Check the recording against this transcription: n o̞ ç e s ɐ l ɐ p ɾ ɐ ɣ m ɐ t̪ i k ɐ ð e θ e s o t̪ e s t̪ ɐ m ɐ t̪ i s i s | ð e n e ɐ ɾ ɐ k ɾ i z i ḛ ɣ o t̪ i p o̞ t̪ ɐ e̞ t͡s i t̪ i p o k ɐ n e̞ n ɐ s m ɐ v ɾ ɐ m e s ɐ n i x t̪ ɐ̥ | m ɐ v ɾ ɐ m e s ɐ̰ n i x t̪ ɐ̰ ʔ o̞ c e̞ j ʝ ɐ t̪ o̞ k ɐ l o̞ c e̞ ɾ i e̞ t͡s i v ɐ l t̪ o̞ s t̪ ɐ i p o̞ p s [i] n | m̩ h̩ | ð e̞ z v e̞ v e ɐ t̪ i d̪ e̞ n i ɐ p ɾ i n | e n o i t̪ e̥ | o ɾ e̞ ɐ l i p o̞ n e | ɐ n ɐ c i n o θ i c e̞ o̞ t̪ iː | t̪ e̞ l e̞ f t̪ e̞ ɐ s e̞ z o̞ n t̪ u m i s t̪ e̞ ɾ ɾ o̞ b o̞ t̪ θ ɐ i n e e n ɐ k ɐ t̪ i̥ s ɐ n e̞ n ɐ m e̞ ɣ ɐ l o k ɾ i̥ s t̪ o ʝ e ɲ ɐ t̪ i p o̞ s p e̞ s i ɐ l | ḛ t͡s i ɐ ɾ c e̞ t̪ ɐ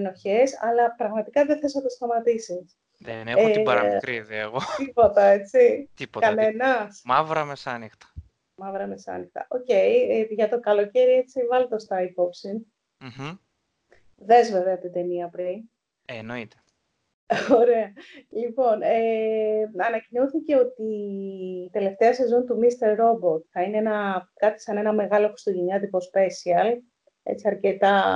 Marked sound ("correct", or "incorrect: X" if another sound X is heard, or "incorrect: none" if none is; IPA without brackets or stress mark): correct